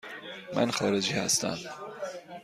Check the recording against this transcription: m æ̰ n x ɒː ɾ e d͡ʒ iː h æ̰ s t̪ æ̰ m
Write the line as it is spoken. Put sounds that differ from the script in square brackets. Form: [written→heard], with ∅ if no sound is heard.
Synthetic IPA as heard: m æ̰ n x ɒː ɾ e d͡ʒ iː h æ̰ s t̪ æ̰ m